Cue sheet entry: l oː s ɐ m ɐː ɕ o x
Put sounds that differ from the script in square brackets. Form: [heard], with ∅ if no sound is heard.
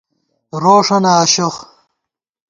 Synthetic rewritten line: [ɾ] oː [ʂ] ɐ [n] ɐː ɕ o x